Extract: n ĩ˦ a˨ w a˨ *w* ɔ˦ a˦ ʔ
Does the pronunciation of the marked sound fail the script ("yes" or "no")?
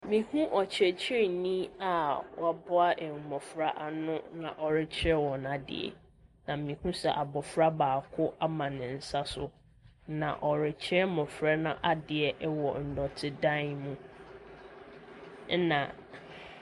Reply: yes